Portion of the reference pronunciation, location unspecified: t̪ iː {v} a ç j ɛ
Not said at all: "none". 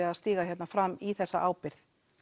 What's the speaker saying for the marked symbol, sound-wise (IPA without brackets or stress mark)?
ɣ